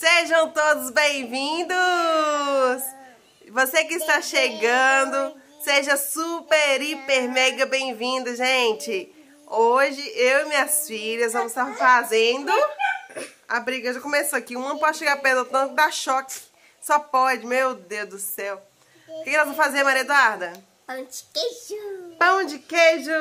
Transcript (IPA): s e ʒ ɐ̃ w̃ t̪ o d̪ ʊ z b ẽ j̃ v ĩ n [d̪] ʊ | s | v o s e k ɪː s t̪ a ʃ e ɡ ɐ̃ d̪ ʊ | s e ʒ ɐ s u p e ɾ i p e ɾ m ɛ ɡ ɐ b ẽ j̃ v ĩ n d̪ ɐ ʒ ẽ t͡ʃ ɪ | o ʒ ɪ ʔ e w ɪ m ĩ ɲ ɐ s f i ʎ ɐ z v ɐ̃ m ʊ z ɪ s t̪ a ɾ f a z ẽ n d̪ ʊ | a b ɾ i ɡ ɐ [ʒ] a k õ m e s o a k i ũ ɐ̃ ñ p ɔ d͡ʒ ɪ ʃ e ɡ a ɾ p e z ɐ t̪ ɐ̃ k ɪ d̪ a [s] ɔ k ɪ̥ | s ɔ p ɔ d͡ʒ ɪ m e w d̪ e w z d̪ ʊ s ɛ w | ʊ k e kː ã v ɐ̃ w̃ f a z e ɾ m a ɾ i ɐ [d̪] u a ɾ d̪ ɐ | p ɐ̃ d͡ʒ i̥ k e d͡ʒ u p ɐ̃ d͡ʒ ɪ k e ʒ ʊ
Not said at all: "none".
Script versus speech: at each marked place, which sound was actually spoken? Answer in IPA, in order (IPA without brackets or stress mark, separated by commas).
d̪, ʒ, ʃ, d̪